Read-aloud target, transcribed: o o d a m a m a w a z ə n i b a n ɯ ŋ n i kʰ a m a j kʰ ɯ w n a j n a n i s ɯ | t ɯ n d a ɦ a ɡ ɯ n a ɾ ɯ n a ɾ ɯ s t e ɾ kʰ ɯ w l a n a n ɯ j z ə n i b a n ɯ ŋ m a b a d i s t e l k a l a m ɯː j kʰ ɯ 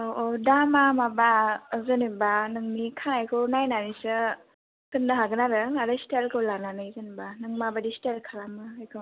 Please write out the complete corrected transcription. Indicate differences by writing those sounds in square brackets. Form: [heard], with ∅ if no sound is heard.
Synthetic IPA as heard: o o d a m a m a [b] a z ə n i b a n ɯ ŋ n i kʰ a [n] a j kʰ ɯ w n a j n a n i s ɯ | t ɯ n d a ɦ a ɡ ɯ n a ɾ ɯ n a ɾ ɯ s t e [l] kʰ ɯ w l a n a n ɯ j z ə n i b a n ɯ ŋ m a b a d i s t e l [kʰ] a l a m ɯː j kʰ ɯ